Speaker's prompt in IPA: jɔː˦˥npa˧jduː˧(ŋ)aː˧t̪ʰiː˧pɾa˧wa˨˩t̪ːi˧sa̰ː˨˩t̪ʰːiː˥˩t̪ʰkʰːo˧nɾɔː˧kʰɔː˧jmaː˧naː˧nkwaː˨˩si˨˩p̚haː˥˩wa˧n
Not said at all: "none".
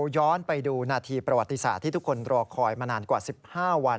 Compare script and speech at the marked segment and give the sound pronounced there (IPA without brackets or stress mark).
n